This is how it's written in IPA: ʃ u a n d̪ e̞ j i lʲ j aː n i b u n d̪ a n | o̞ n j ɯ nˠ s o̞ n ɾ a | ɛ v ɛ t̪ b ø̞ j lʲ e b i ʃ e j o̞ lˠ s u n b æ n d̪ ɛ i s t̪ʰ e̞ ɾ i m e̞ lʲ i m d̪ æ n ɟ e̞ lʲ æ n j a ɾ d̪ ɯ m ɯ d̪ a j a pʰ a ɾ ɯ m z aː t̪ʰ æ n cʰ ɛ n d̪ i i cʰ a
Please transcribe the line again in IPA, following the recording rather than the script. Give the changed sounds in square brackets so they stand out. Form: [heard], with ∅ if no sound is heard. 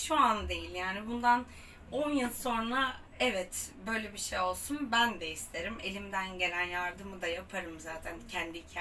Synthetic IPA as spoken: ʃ u a n d̪ e̞ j i lʲ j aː n i b u n d̪ a n | o̞ n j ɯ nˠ s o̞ n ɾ a | ɛ v ɛ t̪ b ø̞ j lʲ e b i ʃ e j o̞ lˠ s u n b æ n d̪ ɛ i s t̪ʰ e̞ ɾ i m e̞ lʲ i m d̪ æ n ɟ e̞ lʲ æ n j a ɾ d̪ ɯ m ɯ d̪ a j a pʰ a ɾ ɯ m z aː t̪ʰ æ n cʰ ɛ n d̪ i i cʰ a